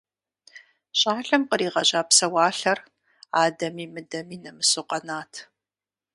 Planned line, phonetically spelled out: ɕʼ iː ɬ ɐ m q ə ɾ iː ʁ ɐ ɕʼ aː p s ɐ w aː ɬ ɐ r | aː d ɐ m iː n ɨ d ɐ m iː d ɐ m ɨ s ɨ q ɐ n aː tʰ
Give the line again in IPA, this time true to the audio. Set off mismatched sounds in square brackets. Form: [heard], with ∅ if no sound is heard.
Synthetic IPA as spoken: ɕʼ [aː] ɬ ɐ m q ə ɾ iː ʁ ɐ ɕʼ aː p s ɐ w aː ɬ ɐ r | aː d ɐ m iː [m] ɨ d ɐ m iː [n] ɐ m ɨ s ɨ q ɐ n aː tʰ